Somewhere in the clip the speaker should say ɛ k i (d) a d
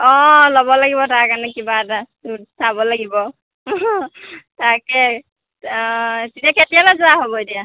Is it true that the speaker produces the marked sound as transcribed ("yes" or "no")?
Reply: no